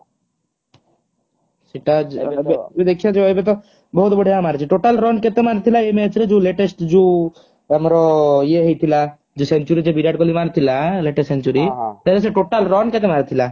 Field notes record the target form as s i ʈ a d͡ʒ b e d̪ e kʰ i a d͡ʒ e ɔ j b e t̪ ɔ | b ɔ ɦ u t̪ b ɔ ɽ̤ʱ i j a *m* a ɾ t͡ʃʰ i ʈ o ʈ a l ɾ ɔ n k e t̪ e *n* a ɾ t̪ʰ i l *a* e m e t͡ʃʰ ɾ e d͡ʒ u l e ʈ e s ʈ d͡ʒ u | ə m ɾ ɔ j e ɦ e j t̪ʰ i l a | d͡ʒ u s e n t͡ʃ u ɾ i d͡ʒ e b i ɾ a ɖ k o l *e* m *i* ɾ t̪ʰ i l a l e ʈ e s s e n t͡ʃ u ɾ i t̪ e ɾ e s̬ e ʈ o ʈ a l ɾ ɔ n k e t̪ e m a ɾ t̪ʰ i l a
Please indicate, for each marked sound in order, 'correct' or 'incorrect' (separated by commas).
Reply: correct, incorrect, correct, incorrect, incorrect